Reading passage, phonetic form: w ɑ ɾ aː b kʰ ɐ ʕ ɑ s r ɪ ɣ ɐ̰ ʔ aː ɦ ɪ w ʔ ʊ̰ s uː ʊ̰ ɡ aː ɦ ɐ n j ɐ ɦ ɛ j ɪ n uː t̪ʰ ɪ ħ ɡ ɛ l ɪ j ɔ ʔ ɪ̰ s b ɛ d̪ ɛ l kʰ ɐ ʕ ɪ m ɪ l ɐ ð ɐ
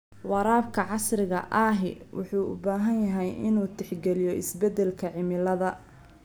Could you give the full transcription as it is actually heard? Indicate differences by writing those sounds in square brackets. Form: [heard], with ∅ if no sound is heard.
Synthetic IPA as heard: w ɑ ɾ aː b kʰ ɐ ʕ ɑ s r ɪ ɣ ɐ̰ ʔ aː ɦ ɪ w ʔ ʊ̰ [ħ] uː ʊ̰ [b] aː ɦ ɐ n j ɐ ɦ ɛ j ɪ n uː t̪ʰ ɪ ħ ɡ ɛ l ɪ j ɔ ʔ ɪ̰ s b ɛ d̪ ɛ l kʰ ɐ ʕ ɪ m ɪ l ɐ ð ɐ